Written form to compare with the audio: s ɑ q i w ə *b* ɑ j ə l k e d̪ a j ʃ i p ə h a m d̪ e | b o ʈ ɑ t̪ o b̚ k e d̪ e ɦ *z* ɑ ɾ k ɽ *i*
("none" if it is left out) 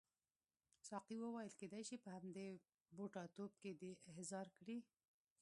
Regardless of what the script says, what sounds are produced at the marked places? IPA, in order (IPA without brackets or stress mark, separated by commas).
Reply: w, z, i